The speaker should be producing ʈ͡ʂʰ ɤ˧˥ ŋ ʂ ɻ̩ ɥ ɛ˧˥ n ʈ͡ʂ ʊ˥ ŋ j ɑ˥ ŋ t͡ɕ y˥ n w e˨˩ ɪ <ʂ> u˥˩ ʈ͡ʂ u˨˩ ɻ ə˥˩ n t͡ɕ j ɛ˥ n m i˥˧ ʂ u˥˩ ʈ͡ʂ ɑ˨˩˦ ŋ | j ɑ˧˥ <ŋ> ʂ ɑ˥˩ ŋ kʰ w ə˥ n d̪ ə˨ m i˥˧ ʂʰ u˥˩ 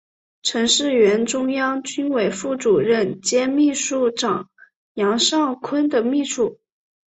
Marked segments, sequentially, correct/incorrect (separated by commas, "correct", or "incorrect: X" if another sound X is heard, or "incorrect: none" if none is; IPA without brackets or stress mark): incorrect: f, correct